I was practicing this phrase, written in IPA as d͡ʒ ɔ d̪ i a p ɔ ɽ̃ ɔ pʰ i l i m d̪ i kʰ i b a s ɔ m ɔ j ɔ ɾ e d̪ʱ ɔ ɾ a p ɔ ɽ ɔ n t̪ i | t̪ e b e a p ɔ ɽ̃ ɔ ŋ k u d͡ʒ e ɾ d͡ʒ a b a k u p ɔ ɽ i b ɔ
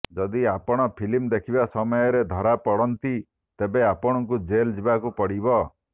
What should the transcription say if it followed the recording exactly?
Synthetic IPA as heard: d͡ʒ ɔ d̪ i a p ɔ ɽ̃ ɔ pʰ i l i m d̪ e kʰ i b a s ɔ m ɔ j ɔ ɾ e d̪ʱ ɔ ɾ a p ɔ ɽ ɔ n t̪ i | t̪ e b e a p ɔ ɽ̃ ɔ ŋ k u d͡ʒ e l d͡ʒ i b a k u p ɔ ɽ i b ɔ